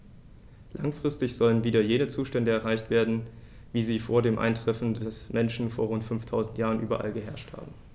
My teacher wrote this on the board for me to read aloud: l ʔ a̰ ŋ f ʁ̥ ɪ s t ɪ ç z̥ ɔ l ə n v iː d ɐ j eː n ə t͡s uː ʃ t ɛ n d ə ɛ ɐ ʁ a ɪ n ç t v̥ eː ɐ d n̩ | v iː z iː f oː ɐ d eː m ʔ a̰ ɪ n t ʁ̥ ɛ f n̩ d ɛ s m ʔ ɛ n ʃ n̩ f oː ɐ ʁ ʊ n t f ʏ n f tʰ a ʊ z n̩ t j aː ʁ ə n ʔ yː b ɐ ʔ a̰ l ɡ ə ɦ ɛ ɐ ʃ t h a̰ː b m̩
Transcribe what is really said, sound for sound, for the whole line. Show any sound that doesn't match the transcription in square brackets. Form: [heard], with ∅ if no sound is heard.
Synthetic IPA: l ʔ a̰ ŋ f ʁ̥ ɪ s t ɪ ç z̥ ɔ l ə n v iː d ɐ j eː n ə t͡s uː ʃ t ɛ n d ə ɛ ɐ ʁ a ɪ [∅] ç t v̥ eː ɐ d n̩ | v iː z iː f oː ɐ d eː m ʔ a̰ ɪ n t ʁ̥ ɛ f n̩ d ɛ s m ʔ ɛ n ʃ n̩ f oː ɐ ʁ ʊ n t f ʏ n f tʰ a ʊ z n̩ t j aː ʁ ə n ʔ yː b ɐ ʔ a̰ l ɡ ə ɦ ɛ ɐ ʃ t h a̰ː b m̩

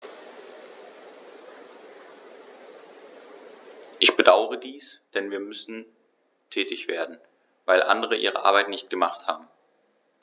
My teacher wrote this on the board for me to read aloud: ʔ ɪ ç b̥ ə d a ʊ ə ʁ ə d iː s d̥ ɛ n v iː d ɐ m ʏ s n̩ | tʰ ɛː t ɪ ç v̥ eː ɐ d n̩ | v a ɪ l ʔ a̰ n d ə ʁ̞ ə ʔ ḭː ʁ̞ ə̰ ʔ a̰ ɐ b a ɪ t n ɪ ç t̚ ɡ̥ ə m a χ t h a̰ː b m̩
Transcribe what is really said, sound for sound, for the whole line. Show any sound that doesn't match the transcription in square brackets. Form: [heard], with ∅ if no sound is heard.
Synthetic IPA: ʔ ɪ ç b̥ ə d a ʊ ə ʁ ə d iː s d̥ ɛ n v iː [∅] ɐ m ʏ s n̩ | tʰ ɛː t ɪ ç v̥ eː ɐ d n̩ | v a ɪ l ʔ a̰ n d ə ʁ̞ ə ʔ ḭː ʁ̞ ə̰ ʔ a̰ ɐ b a ɪ t n ɪ ç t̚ ɡ̥ ə m a χ t h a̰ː b m̩

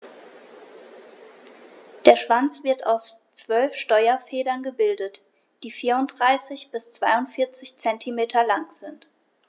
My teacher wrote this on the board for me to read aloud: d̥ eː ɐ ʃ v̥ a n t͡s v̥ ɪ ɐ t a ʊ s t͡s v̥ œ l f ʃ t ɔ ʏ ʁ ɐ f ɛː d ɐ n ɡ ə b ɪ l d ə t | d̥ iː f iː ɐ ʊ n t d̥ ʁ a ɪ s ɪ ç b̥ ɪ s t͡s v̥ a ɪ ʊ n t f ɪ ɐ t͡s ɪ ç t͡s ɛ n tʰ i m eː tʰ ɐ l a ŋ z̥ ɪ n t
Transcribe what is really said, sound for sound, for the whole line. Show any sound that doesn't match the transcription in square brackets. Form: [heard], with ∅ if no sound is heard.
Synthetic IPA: d̥ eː ɐ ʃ v̥ a n t͡s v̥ ɪ ɐ t a ʊ s t͡s v̥ œ l f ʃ t ɔ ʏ [∅] ɐ f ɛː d ɐ n ɡ ə b ɪ l d ə t | d̥ iː f iː ɐ ʊ n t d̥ ʁ a ɪ s ɪ ç b̥ ɪ s t͡s v̥ a ɪ ʊ n t f ɪ ɐ t͡s ɪ ç t͡s ɛ n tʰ i m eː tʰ ɐ l a ŋ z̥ ɪ n t

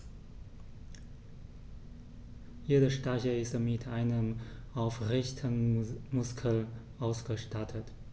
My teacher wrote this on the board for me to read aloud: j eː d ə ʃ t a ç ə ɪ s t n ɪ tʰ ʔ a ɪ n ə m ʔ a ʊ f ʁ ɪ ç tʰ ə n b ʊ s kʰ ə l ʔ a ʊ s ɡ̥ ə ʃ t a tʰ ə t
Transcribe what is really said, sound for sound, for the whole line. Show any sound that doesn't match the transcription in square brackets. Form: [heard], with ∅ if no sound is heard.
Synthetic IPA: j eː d ə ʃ t a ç ə ɪ s t [m] ɪ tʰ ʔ a ɪ n ə m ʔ a ʊ f ʁ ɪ ç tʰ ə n [m] ʊ s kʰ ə l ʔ a ʊ s ɡ̥ ə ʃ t a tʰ ə t

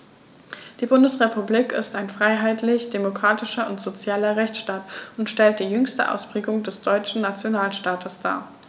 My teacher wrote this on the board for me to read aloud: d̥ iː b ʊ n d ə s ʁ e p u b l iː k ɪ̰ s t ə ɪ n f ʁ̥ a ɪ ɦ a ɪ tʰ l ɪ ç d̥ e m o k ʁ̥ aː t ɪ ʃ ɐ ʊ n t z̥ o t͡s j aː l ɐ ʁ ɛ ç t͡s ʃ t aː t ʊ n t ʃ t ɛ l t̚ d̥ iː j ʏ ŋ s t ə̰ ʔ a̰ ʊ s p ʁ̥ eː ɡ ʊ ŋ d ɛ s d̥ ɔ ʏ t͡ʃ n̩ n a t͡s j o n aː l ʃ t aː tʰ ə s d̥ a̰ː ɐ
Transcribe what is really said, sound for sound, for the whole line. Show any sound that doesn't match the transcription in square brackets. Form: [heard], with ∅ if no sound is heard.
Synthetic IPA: d̥ iː b ʊ n d ə s ʁ e p u b l iː k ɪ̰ s t [a] ɪ n f ʁ̥ a ɪ ɦ a ɪ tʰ l ɪ ç d̥ e m o k ʁ̥ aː t ɪ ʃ ɐ ʊ n t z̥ o t͡s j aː l ɐ ʁ ɛ ç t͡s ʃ t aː t ʊ n t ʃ t ɛ l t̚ d̥ iː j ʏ ŋ s t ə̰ ʔ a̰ ʊ s p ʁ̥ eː ɡ ʊ ŋ d ɛ s d̥ ɔ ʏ t͡ʃ n̩ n a t͡s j o n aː l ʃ t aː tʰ ə s d̥ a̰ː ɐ

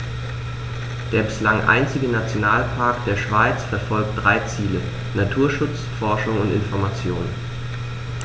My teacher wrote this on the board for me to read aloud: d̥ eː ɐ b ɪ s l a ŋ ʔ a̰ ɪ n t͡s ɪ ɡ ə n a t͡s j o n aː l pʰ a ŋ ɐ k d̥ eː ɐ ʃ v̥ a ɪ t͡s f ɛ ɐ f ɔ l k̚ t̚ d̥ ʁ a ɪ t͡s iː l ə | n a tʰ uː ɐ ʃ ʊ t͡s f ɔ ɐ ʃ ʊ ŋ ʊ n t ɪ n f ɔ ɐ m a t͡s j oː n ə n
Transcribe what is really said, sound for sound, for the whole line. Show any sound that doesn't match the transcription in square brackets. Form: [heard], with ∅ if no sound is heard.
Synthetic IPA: d̥ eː ɐ b ɪ s l a ŋ ʔ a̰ ɪ n t͡s ɪ ɡ ə n a t͡s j o n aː l pʰ a [∅] ɐ k d̥ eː ɐ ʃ v̥ a ɪ t͡s f ɛ ɐ f ɔ l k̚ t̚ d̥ ʁ a ɪ t͡s iː l ə | n a tʰ uː ɐ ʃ ʊ t͡s f ɔ ɐ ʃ ʊ ŋ ʊ n t ɪ n f ɔ ɐ m a t͡s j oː n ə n

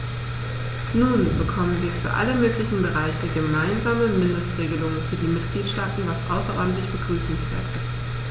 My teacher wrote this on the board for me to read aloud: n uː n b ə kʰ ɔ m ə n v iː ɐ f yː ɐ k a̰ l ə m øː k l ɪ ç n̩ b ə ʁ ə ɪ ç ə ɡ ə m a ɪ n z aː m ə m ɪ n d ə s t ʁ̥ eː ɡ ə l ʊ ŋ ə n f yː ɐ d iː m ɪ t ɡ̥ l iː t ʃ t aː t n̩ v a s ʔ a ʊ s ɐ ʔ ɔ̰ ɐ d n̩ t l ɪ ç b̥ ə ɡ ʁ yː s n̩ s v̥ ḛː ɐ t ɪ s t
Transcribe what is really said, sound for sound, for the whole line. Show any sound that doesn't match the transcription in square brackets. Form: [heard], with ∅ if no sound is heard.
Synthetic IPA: n uː n b ə kʰ ɔ m ə n v iː ɐ f yː ɐ [ʔ] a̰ l ə m øː k l ɪ ç n̩ b ə ʁ [a] ɪ ç ə ɡ ə m a ɪ n z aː m ə m ɪ n d ə s t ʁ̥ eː ɡ ə l ʊ ŋ ə n f yː ɐ d iː m ɪ t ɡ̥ l iː t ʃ t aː t n̩ v a s ʔ a ʊ s ɐ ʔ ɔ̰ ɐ d n̩ t l ɪ ç b̥ ə ɡ ʁ yː s n̩ s v̥ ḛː ɐ t ɪ s t

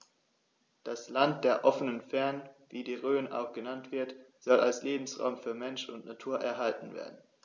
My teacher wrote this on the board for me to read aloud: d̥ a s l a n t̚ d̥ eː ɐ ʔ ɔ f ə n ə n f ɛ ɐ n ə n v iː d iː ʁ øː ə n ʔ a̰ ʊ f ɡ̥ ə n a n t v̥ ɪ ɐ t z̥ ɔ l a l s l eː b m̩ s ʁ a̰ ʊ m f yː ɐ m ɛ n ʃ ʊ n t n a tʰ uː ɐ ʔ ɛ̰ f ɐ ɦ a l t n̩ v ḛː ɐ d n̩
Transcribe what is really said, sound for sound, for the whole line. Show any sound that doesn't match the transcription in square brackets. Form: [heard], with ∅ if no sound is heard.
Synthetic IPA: d̥ a s l a n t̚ d̥ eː ɐ ʔ ɔ f ə n ə n f ɛ ɐ n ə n v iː d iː ʁ øː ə n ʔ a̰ ʊ [x] ɡ̥ ə n a n t v̥ ɪ ɐ t z̥ ɔ l a l s l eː b m̩ s ʁ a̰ ʊ m f yː ɐ m ɛ n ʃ ʊ n t n a tʰ uː ɐ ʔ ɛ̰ [∅] ɐ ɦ a l t n̩ v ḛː ɐ d n̩

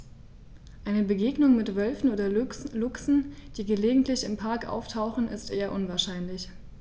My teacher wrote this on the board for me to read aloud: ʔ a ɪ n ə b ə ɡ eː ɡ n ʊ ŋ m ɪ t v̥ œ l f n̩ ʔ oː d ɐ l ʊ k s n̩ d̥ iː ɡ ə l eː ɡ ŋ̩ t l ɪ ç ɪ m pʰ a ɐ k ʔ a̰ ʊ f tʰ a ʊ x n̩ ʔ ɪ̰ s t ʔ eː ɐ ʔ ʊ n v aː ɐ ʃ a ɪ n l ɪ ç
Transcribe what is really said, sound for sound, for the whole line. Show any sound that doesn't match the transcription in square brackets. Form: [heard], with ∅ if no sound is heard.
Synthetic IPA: ʔ a ɪ n ə b ə ɡ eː ɡ n ʊ ŋ m ɪ t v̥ œ l f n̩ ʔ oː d ɐ l ʊ k s n̩ d̥ iː ɡ ə l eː ɡ ŋ̩ t l ɪ ç ɪ m pʰ a ɐ k ʔ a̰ ʊ f tʰ a ʊ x n̩ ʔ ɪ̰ s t ʔ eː ɐ ʔ ʊ n v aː ɐ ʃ a ɪ n l ɪ ç

